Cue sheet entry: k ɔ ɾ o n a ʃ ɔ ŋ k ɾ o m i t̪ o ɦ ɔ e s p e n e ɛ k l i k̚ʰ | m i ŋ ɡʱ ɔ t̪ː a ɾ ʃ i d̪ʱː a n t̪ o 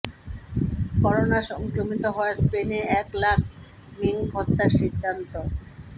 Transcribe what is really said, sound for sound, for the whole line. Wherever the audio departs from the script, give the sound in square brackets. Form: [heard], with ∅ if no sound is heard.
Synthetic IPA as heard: k ɔ ɾ o n a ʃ ɔ ŋ k ɾ o m i t̪ o ɦ ɔ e s p e n e ɛ k l [a] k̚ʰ | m i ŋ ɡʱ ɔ t̪ː a ɾ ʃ i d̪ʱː a n t̪ o